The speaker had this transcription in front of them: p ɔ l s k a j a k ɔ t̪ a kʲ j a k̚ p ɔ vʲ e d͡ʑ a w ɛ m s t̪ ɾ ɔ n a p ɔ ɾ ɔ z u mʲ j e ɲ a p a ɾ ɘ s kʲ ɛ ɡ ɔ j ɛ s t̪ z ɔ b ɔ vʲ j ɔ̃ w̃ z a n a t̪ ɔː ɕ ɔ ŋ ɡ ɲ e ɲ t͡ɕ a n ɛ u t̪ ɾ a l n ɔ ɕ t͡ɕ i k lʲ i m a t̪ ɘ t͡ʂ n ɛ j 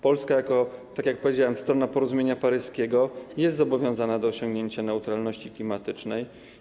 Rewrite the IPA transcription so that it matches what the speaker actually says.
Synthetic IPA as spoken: p ɔ l s k a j a k ɔ t̪ a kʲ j a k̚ p ɔ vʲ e d͡ʑ a w ɛ m s t̪ ɾ ɔ n a p ɔ ɾ ɔ z u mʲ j e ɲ a p a ɾ ɘ s kʲ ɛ ɡ ɔ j ɛ s t̪ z ɔ b ɔ vʲ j ɔ̃ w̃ z a n a d̪ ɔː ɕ ɔ ŋ ɡ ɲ e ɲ t͡ɕ a n ɛ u t̪ ɾ a l n ɔ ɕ t͡ɕ i k lʲ i m a t̪ ɘ t͡ʂ n ɛ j

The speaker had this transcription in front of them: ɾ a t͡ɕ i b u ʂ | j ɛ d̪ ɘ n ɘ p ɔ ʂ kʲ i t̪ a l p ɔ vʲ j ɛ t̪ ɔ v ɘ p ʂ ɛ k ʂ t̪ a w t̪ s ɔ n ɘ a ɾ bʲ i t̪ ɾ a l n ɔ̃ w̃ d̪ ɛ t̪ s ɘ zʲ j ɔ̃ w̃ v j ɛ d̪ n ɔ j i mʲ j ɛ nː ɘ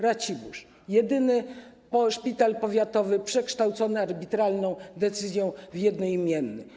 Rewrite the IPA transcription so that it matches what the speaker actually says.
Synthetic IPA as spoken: ɾ a t͡ɕ i b u ʂ | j ɛ d̪ ɘ n ɘ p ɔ ʂ pʲ i t̪ a l p ɔ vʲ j a t̪ ɔ v ɘ p ʂ ɛ k ʂ t̪ a w t̪ s ɔ n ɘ a ɾ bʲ i t̪ ɾ a l n ɔ̃ w̃ d̪ ɛ t̪ s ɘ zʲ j ɔ̃ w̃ v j ɛ d̪ n ɔ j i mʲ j ɛ nː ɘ

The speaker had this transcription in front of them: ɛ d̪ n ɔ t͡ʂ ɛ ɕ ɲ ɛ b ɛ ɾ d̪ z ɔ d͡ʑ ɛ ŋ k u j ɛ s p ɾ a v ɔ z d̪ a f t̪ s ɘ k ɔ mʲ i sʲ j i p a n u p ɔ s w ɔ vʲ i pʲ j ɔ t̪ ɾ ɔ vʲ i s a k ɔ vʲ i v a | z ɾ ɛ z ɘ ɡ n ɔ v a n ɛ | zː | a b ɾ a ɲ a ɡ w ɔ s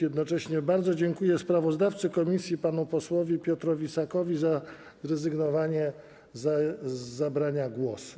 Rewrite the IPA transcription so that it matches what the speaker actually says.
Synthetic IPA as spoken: ɛ d̪ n ɔ t͡ʂ ɛ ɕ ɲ ɛ b a ɾ d̪ z ɔ d͡ʑ ɛ ŋ k u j ɛ s p ɾ a v ɔ z d̪ a f t̪ s ɘ k ɔ mʲ i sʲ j i p a n u p ɔ s w ɔ vʲ i pʲ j ɔ t̪ ɾ ɔ vʲ i s a k ɔ vʲ i z a | z ɾ ɛ z ɘ ɡ n ɔ v a ɲ ɛ | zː | a b ɾ a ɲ a ɡ w ɔ s

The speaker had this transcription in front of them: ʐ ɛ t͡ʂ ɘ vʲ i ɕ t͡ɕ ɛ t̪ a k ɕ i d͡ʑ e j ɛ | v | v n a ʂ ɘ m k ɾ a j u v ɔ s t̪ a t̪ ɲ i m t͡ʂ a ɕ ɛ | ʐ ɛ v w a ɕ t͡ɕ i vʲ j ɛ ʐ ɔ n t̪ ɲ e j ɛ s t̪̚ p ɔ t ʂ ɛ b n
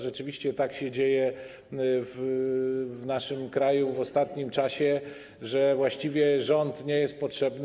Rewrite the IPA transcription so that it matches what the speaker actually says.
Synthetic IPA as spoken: ʐ ɛ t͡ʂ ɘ vʲ i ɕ t͡ɕ ɛ t̪ a k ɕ ɛ d͡ʑ e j ɛ | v | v n a ʂ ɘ m k ɾ a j u v ɔ s t̪ a t̪ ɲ i m t͡ʂ a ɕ ɛ | ʐ ɛ v w a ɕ t͡ɕ i vʲ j ɛ ʐ ɔ n t̪ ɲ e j ɛ s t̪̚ p ɔ t ʂ ɛ b n

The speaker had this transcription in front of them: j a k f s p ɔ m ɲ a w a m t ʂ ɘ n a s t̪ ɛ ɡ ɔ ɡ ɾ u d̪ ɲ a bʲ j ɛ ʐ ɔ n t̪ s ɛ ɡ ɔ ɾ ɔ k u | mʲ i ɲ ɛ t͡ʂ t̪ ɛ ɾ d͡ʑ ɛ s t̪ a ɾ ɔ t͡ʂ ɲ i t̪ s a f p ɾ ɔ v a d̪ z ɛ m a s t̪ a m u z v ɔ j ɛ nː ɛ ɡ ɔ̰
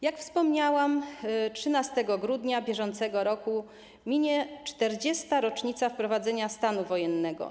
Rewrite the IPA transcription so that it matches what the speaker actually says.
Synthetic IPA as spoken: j a k f s p ɔ m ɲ a w a m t ʂ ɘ n a s t̪ ɛ ɡ ɔ ɡ ɾ u d̪ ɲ a bʲ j ɛ ʐ ɔ n t̪ s ɛ ɡ ɔ ɾ ɔ k u | mʲ i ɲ ɛ t͡ʂ t̪ ɛ ɾ d͡ʑ ɛ s t̪ a ɾ ɔ t͡ʂ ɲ i t̪ s a f p ɾ ɔ v a d̪ z ɛ ɲ a s t̪ a n u v ɔ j ɛ nː ɛ ɡ ɔ̰

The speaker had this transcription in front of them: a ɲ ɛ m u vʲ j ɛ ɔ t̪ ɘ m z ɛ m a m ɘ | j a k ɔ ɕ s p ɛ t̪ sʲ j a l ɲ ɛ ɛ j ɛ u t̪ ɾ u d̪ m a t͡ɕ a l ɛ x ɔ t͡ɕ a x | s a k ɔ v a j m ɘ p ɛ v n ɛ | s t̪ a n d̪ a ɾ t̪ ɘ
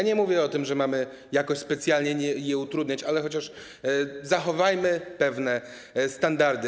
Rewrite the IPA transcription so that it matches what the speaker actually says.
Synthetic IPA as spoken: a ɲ ɛ m u vʲ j ɛ ɔ t̪ ɘ m ʐ ɛ m a m ɘ | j a k ɔ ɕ s p ɛ t̪ sʲ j a l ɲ ɛ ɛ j ɛ u t̪ ɾ u d̪ ɲ a t͡ɕ a l ɛ x ɔ t͡ɕ a ʂ | z a x ɔ v a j m ɘ p ɛ v n ɛ | s t̪ a n d̪ a ɾ d̪ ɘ

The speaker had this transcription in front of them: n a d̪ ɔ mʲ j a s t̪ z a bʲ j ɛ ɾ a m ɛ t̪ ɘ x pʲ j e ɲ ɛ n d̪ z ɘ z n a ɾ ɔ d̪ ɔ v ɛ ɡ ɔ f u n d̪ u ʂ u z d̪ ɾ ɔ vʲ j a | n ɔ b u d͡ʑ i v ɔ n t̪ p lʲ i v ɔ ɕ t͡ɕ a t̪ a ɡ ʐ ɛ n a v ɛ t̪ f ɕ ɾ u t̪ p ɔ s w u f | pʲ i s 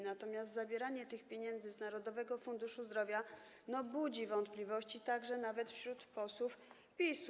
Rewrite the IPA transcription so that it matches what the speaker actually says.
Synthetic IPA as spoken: n a t̪ ɔ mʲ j a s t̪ z a bʲ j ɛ ɾ a ɲ ɛ t̪ ɘ x pʲ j e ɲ ɛ n d̪ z ɘ z n a ɾ ɔ d̪ ɔ v ɛ ɡ ɔ f u n d̪ u ʂ u z d̪ ɾ ɔ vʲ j a | n ɔ b u d͡ʑ i v ɔ n t̪ p lʲ i v ɔ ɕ t͡ɕ i t̪ a ɡ ʐ ɛ n a v ɛ t̪ f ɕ ɾ u t̪ p ɔ s w u f | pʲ i s

